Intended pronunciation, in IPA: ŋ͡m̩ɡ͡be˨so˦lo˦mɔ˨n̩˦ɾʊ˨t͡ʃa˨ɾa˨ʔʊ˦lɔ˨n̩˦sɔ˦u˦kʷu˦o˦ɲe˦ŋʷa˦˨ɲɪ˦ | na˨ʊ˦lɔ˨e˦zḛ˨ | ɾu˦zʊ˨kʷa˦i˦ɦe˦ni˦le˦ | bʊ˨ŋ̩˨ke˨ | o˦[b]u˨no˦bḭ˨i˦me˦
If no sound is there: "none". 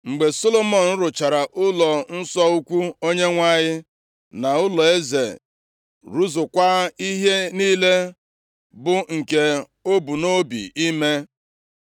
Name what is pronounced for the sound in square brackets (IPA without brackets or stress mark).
b